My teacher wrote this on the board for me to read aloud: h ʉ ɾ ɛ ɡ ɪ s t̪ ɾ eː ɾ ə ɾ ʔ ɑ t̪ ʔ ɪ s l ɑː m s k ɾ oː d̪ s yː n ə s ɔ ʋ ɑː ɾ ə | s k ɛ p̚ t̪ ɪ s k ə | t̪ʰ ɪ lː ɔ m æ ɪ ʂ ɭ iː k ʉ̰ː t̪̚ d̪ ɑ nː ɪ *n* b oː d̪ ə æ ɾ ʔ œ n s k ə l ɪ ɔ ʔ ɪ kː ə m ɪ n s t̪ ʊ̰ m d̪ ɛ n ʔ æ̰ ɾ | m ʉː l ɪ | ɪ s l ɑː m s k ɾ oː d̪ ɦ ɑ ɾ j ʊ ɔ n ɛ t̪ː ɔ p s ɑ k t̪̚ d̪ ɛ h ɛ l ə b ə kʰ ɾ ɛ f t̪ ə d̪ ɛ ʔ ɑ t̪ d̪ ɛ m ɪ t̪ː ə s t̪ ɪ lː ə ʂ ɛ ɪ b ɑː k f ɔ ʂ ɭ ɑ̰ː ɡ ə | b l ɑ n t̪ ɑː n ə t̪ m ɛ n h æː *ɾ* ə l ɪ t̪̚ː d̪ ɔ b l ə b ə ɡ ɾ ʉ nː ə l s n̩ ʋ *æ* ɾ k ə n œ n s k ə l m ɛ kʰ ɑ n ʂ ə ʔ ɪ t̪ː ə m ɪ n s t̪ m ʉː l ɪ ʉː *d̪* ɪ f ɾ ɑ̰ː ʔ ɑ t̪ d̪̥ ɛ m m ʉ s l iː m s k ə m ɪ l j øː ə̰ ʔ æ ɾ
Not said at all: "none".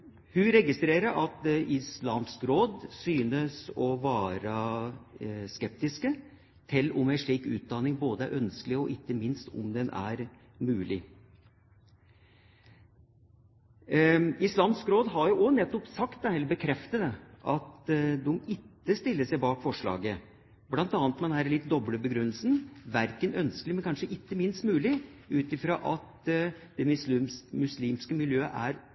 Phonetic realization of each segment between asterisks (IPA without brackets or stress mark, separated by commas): ŋ, ɾ, æ, t̪